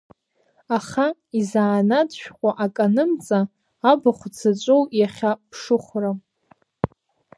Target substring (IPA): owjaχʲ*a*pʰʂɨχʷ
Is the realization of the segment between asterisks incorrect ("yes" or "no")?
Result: no